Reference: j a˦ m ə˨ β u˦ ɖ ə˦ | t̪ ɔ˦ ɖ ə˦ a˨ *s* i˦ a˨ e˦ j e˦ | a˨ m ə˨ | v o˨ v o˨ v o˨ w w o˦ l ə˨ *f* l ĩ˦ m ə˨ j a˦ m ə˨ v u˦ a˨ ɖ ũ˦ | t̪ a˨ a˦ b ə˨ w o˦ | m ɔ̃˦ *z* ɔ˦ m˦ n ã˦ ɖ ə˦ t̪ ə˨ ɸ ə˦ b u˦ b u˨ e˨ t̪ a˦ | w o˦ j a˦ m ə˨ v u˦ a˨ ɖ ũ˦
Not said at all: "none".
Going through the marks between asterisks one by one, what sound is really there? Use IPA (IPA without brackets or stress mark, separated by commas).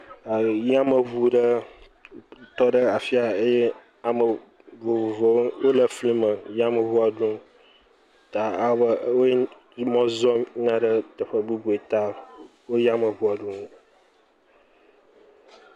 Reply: f, f, z